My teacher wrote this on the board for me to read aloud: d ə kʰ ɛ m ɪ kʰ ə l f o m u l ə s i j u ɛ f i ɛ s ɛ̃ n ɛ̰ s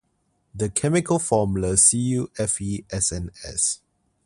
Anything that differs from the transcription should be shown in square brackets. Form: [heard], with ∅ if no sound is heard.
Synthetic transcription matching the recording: d ə kʰ ɛ m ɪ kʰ ə l f [ɔ] m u l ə s i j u ɛ f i ɛ s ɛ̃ n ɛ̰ s